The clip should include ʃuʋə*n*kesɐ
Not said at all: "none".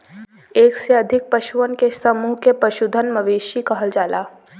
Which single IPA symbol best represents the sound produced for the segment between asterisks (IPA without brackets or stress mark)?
n